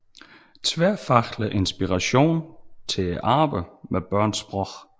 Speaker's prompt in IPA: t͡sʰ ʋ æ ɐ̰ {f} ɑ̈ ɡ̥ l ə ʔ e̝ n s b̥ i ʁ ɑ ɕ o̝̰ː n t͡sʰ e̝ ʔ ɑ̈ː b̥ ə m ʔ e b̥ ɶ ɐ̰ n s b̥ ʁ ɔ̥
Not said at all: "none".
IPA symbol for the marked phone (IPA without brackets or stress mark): f